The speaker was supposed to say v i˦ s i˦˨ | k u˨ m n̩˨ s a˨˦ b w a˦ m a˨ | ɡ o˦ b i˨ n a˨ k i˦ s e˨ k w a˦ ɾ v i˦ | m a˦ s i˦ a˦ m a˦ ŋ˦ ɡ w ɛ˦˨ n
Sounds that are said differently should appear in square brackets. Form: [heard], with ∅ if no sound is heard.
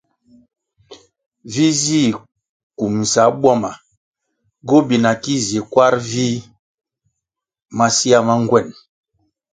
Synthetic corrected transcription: v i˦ [z] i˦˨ | k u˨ m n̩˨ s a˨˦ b w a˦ m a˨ | ɡ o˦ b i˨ n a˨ k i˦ [z] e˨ k w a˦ ɾ v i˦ | m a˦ s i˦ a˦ m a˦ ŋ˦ ɡ w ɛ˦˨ n

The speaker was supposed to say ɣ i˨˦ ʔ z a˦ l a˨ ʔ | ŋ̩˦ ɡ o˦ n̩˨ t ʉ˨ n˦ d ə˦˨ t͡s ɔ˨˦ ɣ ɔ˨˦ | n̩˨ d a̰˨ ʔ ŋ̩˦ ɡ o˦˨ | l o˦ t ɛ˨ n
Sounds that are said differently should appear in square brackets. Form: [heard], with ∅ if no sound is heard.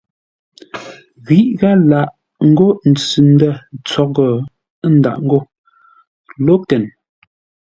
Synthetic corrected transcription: ɣ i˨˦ ʔ [ɣ] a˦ l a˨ ʔ | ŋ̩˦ ɡ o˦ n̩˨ [t͡s] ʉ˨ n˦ d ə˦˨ t͡s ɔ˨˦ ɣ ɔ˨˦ | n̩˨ d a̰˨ ʔ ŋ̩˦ ɡ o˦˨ | l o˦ t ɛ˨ n

